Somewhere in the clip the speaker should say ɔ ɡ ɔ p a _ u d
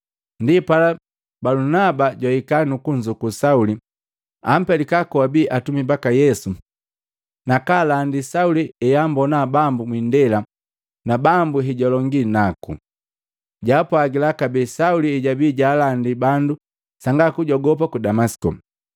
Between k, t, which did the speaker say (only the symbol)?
k